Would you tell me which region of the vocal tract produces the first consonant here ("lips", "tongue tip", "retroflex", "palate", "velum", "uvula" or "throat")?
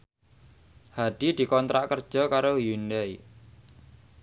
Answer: throat